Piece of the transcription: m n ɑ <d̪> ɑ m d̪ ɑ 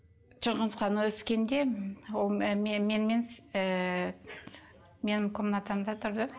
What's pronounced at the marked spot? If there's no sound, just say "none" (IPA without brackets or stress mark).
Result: t̪